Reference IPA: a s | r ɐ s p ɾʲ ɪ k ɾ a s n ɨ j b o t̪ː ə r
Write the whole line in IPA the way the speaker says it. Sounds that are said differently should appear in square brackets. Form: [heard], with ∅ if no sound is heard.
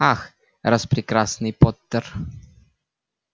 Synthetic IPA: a [x] | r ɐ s p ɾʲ ɪ k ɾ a s n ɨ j [p] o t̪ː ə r